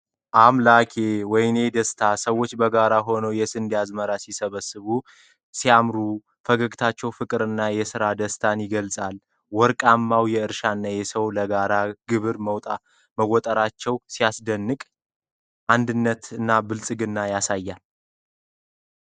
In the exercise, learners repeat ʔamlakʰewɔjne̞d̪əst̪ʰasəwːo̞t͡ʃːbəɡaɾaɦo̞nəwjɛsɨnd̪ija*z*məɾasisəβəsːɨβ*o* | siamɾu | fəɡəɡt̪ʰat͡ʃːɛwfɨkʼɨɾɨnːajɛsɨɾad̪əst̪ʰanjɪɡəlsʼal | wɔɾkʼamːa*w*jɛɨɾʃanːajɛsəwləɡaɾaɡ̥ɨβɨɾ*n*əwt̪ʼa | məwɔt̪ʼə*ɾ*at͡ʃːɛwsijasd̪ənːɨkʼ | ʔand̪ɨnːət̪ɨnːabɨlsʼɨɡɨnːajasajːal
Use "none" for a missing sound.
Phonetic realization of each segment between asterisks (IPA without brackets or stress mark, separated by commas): z, u, w, m, ɾ